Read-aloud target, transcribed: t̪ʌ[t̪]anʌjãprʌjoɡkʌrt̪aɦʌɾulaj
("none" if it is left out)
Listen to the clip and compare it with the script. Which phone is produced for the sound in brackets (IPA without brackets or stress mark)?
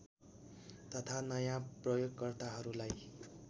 t̪ʰ